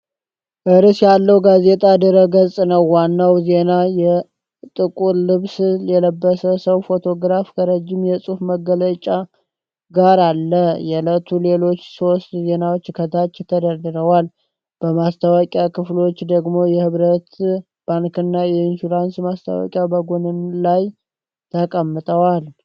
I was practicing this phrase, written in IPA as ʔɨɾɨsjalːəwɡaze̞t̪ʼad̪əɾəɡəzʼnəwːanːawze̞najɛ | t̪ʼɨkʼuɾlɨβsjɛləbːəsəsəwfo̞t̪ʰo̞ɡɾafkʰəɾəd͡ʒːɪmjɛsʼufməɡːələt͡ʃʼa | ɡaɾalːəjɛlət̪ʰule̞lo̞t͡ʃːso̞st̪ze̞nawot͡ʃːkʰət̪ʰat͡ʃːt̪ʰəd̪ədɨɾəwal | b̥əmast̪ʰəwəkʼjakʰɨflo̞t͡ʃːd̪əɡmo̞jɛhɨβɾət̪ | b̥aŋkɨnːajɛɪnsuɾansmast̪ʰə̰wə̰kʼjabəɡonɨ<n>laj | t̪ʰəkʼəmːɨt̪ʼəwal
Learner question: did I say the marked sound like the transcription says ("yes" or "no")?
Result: yes